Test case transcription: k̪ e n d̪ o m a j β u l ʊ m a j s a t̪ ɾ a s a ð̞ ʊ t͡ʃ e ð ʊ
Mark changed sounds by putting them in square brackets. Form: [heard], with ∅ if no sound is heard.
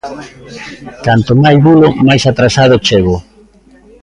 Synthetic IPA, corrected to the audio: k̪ [a] n [t̪] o m a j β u l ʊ m a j s a t̪ ɾ a s a ð̞ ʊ t͡ʃ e [ɣ] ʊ